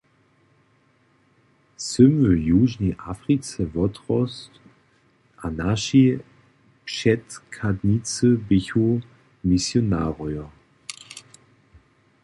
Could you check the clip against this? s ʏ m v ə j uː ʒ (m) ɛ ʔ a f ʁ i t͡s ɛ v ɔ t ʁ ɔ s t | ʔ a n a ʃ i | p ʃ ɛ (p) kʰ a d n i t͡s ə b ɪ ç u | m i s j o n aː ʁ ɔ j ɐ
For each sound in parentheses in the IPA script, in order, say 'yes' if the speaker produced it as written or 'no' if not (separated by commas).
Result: no, no